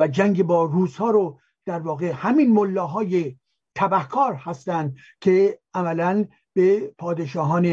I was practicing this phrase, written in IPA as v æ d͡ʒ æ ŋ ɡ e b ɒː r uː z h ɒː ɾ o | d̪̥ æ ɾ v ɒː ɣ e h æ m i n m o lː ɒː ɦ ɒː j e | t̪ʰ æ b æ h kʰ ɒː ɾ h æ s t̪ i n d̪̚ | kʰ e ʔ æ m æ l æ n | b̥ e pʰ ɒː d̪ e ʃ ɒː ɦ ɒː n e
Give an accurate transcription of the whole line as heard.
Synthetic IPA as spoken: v æ d͡ʒ æ ŋ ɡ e b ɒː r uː z h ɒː ɾ o | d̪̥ æ ɾ v ɒː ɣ e h æ m i n m o lː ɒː ɦ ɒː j e | t̪ʰ æ b æ h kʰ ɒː ɾ h æ s t̪ æ n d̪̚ | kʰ e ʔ æ m æ l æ n | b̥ e pʰ ɒː d̪ e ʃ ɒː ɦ ɒː n e